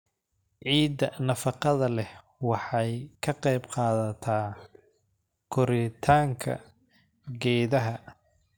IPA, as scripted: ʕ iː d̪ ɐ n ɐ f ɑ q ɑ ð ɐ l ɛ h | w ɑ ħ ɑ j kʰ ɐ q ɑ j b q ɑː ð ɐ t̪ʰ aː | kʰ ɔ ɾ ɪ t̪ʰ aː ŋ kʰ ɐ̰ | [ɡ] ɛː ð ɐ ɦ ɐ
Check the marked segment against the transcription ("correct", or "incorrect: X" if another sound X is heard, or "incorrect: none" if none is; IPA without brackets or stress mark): correct